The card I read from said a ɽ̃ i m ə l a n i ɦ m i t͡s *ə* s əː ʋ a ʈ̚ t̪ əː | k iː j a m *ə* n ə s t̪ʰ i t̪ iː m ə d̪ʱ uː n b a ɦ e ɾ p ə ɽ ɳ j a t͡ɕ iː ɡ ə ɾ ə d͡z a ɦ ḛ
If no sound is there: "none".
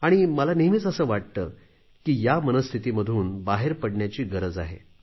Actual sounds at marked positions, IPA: ə, ə

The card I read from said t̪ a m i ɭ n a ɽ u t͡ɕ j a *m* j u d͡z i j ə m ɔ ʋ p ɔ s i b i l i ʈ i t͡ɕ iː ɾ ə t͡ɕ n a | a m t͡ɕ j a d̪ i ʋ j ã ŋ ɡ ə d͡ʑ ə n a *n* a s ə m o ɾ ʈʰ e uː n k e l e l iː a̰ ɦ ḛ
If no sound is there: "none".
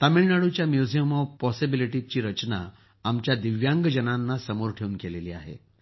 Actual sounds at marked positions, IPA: m, nː

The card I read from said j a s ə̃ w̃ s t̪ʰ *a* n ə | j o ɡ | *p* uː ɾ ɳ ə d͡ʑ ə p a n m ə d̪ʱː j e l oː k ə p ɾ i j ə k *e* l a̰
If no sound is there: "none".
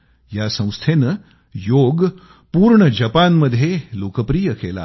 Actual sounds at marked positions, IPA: e, p, e

